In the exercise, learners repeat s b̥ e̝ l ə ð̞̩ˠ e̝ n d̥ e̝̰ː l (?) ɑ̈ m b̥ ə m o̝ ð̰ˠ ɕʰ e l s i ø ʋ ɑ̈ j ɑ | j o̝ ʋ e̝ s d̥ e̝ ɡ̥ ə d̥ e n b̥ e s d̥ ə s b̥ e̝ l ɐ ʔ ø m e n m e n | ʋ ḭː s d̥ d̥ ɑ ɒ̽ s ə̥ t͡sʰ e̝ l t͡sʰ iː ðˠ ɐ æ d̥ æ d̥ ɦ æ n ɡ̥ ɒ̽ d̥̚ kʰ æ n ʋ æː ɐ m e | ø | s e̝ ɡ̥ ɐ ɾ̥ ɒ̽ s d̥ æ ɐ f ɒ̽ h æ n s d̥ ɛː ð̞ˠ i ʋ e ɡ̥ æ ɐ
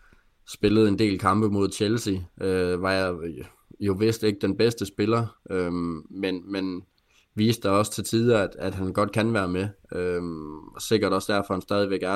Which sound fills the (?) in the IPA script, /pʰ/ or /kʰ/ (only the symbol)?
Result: kʰ